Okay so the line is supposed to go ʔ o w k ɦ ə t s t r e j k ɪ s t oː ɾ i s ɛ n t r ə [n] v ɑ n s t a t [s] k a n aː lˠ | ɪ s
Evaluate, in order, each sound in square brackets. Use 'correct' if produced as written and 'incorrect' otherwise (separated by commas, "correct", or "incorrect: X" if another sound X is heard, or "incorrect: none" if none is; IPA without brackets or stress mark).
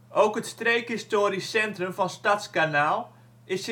incorrect: m, correct